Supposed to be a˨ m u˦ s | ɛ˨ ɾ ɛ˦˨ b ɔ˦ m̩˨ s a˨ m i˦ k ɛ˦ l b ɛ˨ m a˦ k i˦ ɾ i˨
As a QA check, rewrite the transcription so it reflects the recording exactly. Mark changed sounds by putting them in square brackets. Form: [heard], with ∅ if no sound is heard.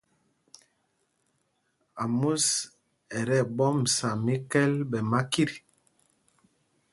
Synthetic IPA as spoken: a˨ m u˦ s | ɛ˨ ɾ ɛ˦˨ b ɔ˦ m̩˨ s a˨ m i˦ k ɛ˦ l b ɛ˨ m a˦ k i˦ ɾ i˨